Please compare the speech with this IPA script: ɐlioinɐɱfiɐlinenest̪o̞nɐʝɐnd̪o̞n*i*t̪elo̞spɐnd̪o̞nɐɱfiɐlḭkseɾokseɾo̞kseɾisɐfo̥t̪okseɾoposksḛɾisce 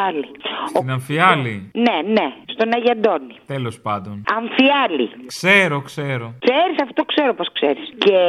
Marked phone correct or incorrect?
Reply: correct